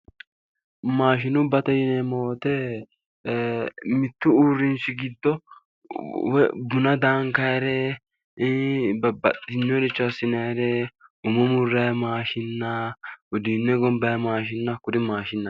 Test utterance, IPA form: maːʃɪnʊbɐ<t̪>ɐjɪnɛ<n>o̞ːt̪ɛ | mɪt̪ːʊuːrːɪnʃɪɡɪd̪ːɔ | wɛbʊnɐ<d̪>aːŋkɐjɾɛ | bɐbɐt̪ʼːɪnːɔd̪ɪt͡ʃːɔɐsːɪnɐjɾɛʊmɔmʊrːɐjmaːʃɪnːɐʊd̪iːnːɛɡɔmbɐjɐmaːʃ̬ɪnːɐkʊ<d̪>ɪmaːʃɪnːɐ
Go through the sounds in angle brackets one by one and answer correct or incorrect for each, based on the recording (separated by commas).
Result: correct, incorrect, correct, correct